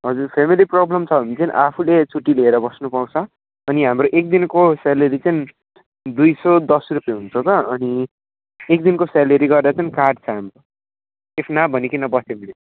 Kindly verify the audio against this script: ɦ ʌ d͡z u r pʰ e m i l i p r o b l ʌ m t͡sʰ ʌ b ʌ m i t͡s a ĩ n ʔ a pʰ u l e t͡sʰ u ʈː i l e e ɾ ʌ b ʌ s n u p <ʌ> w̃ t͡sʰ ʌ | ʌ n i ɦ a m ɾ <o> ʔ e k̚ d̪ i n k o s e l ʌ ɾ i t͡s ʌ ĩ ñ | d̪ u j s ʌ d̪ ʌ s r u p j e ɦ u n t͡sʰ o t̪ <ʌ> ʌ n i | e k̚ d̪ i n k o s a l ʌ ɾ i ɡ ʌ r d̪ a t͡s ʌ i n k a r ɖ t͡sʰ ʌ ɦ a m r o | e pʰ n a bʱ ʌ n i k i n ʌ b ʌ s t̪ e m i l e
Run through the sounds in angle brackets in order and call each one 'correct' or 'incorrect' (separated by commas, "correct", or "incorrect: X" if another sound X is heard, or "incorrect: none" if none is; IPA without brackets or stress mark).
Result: incorrect: a, correct, correct